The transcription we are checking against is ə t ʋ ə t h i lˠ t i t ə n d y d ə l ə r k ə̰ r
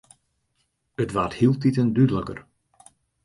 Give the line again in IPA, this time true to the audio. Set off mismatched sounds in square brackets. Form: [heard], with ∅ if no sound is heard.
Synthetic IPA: ə t ʋ [a] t h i lˠ t i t ə n d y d ə l ə [∅] k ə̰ r